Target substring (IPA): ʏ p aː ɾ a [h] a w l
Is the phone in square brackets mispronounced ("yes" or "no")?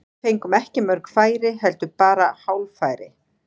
no